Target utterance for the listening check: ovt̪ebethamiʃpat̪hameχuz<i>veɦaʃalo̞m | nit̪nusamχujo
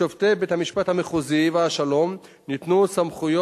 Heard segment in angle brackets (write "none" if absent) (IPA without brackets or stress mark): i